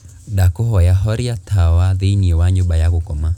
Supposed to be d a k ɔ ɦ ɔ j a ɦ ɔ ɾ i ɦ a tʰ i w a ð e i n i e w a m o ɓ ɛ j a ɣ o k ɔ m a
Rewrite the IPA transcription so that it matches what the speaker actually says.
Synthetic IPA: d a k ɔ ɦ ɔ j a ɦ ɔ ɾ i a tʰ a w a ð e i n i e w a ɲ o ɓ a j a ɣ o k ɔ m a

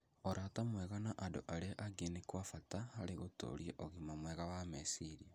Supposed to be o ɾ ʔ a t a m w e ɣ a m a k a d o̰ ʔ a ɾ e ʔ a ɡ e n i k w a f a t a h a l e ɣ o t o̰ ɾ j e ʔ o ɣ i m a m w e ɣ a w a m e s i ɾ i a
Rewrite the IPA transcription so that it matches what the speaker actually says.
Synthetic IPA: o ɾ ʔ a t a m w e ɣ a n a ʔ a d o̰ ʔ a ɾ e ʔ a ɡ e n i k w a f a t a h a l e ɣ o t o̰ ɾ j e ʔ o ɣ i m a m w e ɣ a w a m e s i ɾ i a

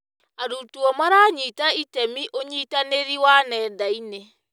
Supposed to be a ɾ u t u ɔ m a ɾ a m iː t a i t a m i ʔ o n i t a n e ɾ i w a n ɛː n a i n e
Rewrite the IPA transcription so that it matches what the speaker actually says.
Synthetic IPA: a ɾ u t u ɔ m a ɾ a ɲ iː t a i t ɛ m i ʔ o ɲ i t a n e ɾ i w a n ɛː d a i n e

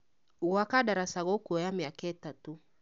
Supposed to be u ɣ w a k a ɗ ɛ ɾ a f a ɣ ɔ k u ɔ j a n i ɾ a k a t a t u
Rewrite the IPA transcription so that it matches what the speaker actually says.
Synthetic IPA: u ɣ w a k a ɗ a ɾ a s a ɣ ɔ k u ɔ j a m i a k ɛ t a t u

